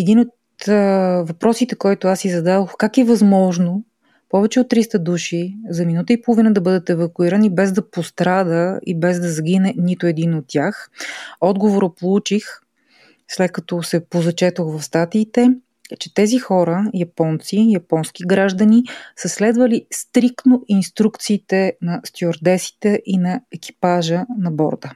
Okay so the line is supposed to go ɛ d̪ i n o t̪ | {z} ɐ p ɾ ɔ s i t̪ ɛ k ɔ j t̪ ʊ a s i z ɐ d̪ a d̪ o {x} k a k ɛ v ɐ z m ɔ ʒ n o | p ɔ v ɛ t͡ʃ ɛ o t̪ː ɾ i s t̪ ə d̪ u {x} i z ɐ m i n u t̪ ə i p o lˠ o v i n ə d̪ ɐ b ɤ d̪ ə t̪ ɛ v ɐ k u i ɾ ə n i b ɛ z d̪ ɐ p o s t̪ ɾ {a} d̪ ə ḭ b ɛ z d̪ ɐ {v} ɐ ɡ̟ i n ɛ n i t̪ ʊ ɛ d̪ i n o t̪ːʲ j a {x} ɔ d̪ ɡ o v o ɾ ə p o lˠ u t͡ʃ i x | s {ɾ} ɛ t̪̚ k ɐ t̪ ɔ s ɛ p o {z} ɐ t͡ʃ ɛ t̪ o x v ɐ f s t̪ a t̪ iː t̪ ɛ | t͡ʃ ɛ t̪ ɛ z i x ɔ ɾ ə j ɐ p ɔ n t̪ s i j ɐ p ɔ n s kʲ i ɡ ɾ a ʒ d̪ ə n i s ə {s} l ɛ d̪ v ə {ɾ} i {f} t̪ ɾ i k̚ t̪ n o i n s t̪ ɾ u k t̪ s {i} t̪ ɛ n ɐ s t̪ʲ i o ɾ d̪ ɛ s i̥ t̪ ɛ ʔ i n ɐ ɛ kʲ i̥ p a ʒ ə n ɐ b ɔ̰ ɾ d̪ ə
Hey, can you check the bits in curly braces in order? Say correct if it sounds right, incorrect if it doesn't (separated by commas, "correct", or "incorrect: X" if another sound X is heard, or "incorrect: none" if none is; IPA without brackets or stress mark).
incorrect: v, correct, incorrect: ʃ, correct, incorrect: z, correct, incorrect: l, correct, correct, incorrect: l, incorrect: s, incorrect: iː